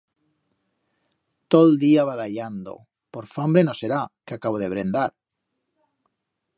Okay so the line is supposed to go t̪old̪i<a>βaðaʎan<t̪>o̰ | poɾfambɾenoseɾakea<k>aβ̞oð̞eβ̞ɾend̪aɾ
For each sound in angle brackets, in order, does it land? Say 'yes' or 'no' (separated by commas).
yes, no, yes